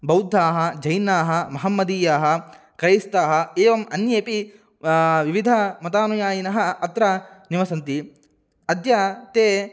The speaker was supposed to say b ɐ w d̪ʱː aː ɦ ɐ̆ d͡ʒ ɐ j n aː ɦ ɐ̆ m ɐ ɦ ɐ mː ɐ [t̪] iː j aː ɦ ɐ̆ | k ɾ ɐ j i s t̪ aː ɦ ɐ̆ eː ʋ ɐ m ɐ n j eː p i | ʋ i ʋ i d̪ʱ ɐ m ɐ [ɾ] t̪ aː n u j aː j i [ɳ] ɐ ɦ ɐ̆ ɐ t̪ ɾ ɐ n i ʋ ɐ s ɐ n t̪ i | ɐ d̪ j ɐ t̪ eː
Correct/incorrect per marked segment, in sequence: incorrect: d̪, incorrect: none, incorrect: n

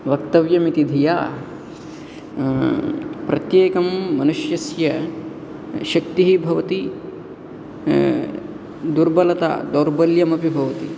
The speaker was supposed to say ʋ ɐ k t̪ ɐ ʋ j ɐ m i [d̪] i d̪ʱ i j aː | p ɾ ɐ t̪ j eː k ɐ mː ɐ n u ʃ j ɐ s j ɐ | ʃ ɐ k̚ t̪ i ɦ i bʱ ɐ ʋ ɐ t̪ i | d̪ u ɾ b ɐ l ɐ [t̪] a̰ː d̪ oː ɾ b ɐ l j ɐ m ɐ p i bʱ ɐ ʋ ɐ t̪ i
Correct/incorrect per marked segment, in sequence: incorrect: t̪, correct

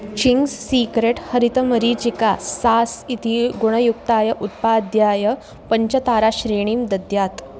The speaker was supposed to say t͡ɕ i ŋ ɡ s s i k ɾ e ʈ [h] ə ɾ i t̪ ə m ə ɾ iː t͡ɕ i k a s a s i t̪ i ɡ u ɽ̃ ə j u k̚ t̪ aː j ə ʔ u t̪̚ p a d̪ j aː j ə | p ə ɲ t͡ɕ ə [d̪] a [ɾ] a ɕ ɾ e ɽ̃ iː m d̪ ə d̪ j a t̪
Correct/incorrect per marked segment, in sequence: correct, incorrect: t̪, correct

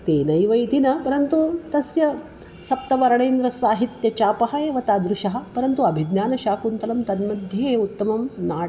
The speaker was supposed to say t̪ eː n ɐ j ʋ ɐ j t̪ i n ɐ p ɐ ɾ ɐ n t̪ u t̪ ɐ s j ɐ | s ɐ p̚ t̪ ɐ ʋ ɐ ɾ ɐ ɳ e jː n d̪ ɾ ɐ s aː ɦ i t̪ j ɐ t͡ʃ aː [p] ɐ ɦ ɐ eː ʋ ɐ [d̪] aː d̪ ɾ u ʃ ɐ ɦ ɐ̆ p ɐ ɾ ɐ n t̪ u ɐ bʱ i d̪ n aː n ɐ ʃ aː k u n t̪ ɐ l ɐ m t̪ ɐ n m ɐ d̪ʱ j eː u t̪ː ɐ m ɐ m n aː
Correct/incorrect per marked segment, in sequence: correct, incorrect: t̪

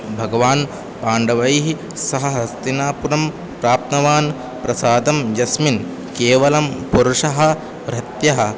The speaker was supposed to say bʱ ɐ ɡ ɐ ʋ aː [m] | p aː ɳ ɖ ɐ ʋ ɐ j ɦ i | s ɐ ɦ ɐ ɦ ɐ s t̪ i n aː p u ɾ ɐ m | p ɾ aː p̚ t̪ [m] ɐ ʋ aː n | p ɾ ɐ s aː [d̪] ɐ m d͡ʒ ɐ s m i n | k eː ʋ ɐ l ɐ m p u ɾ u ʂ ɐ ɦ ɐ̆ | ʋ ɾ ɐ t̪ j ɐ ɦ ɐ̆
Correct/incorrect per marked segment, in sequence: incorrect: n, incorrect: n, correct

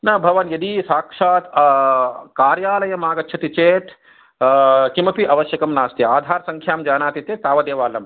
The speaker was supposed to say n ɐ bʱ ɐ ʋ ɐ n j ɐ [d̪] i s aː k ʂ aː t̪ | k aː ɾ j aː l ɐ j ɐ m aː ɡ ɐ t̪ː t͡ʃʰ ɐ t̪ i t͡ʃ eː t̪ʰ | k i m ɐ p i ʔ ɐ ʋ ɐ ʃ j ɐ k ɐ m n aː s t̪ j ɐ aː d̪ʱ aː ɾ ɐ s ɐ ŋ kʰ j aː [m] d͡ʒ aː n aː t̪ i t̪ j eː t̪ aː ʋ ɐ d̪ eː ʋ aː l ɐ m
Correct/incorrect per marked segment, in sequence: correct, correct

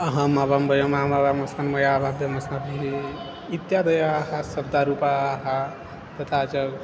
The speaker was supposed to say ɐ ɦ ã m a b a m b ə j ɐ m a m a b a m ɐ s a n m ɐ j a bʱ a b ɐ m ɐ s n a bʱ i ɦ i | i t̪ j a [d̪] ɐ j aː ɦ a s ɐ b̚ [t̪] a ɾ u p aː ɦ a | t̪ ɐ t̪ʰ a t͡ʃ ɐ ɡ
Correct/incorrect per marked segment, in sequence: correct, incorrect: d̪

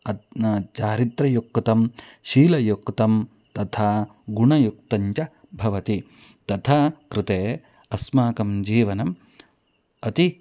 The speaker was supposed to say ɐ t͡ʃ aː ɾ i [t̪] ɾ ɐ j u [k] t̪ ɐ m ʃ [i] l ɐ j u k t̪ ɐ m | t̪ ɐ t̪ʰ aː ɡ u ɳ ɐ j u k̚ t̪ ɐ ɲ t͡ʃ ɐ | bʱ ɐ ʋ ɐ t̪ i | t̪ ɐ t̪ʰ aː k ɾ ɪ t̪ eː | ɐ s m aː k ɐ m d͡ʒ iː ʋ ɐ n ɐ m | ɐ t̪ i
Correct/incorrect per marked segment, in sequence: correct, correct, incorrect: iː

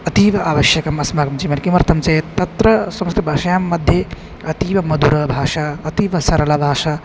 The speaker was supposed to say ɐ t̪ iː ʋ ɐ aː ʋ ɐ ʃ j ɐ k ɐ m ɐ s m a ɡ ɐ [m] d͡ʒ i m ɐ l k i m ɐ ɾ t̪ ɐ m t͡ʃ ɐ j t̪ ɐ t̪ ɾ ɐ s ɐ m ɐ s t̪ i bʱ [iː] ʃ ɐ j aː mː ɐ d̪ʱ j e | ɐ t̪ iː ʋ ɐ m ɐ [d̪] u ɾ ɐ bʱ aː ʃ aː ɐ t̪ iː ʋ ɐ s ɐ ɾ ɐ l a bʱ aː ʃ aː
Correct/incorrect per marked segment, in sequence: correct, incorrect: aː, correct

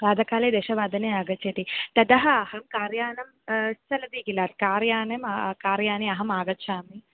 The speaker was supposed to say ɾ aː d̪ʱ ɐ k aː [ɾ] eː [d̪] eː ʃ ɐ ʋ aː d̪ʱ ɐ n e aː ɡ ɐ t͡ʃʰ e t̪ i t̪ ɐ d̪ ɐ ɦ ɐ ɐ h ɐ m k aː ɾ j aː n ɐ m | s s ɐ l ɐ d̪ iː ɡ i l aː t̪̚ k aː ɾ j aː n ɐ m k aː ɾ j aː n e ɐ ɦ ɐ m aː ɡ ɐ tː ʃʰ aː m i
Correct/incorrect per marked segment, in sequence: incorrect: l, correct

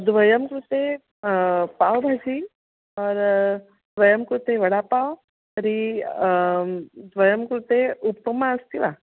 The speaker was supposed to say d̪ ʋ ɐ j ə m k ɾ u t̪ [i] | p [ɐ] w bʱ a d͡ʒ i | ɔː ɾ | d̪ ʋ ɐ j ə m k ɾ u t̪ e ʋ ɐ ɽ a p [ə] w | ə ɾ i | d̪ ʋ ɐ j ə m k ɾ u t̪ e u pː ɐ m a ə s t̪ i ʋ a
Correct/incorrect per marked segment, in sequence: incorrect: e, incorrect: a, incorrect: a

